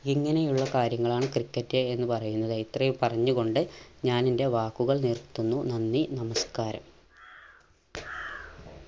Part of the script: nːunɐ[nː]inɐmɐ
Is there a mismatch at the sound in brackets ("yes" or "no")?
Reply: no